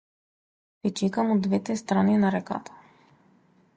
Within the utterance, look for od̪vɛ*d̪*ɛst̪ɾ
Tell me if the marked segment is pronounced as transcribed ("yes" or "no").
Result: no